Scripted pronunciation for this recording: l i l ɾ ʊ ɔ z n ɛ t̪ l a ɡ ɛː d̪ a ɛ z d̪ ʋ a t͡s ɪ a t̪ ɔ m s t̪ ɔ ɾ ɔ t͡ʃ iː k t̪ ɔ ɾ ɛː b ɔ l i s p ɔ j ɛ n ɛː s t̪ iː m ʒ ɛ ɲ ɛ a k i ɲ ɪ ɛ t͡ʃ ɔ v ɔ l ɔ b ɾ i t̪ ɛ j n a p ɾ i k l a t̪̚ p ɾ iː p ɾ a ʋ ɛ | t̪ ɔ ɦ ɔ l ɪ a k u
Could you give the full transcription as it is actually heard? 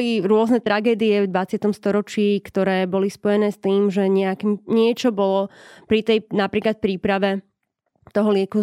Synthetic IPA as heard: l i ɾ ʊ ɔ z n ɛ t̪ ɾ a ɡ ɛː d̪ i ɛ v d̪ ʋ a t͡s ɪ a t̪ ɔ m s t̪ ɔ ɾ ɔ t͡ʃ iː k t̪ ɔ ɾ ɛː b ɔ l i s p ɔ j ɛ n ɛː s t̪ iː m ʒ ɛ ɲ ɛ a k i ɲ ɪ ɛ t͡ʃ ɔ b ɔ l ɔ p ɾ i t̪ ɛ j n a p ɾ iː k l a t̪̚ p ɾ iː p ɾ a ʋ ɛ | t̪ ɔ ɦ ɔ l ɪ ɛ k u